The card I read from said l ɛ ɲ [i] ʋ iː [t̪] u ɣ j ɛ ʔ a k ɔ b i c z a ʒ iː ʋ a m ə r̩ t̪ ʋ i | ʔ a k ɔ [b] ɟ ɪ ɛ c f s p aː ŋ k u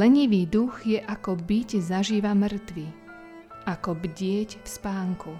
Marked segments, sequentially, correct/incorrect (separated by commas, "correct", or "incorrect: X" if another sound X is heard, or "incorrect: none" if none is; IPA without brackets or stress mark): correct, incorrect: d̪, correct